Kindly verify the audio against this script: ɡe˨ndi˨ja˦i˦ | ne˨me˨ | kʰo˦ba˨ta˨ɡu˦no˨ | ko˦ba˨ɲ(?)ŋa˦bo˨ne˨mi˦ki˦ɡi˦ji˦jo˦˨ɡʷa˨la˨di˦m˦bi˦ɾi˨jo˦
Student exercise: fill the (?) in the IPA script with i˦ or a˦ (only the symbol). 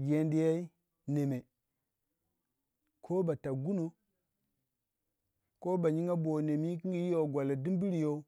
i˦